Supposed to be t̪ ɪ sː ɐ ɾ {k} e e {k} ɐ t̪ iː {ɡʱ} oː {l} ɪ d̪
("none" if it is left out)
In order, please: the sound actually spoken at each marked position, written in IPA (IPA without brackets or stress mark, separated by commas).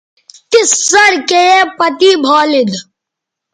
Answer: k, p, bʱ, l